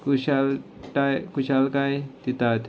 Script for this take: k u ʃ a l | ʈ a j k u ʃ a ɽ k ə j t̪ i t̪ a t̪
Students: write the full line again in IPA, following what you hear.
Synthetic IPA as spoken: k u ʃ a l | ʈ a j k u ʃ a l k a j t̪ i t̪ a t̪